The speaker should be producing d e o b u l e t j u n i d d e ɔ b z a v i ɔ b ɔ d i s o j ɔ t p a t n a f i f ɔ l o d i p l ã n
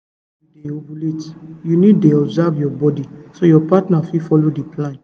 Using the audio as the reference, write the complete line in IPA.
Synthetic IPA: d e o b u l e t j u n i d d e ɔ b z a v j ɔ b ɔ d i s o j ɔ p a t n a f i f ɔ l o d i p l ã n